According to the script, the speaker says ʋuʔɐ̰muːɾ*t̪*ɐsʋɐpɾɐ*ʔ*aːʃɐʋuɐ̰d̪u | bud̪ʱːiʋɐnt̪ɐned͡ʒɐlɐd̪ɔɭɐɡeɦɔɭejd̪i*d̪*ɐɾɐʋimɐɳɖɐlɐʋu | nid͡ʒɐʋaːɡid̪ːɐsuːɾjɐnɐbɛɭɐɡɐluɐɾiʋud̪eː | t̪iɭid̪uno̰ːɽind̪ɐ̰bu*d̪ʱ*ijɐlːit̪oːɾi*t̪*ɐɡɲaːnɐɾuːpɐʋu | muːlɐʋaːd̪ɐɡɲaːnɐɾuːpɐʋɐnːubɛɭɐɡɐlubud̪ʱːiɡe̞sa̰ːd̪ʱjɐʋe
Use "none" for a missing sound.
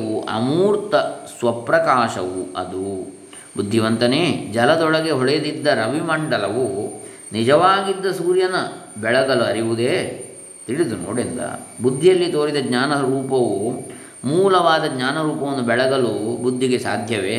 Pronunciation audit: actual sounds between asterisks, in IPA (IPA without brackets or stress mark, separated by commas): t̪, k, d̪ː, d̪ʱː, d̪